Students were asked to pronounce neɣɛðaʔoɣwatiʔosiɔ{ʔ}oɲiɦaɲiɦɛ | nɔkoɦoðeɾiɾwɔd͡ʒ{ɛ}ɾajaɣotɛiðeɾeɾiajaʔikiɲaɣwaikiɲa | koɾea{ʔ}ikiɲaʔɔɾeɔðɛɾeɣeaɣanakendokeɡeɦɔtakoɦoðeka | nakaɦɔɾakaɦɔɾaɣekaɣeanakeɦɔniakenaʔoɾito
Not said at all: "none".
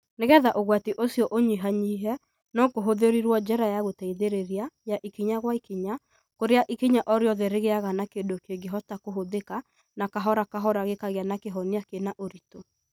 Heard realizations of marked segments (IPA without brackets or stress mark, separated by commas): ʔ, ɛ, ʔ